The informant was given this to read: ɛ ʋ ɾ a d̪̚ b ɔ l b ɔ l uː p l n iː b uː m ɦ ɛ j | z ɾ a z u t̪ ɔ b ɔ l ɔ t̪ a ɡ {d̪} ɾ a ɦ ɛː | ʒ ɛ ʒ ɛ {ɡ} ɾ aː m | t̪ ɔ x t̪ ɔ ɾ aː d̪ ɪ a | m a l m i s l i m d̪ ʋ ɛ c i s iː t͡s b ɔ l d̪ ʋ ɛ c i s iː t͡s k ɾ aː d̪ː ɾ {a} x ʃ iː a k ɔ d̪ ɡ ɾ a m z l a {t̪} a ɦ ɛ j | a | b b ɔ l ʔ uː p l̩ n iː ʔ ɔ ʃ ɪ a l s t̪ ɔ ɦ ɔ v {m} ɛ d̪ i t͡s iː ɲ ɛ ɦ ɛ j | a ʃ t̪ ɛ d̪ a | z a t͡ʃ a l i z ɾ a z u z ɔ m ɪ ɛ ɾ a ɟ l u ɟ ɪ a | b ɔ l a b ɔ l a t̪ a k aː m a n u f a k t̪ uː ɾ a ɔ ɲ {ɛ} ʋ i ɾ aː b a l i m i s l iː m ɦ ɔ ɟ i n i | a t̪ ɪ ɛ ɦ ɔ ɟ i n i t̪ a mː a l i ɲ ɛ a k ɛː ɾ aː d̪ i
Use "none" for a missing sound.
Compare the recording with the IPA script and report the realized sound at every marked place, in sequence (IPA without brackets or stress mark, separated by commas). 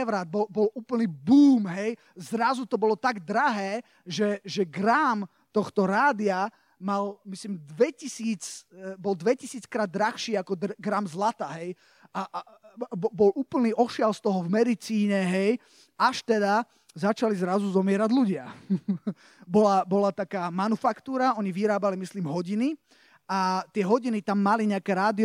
d̪, ɡ, a, t̪, m, i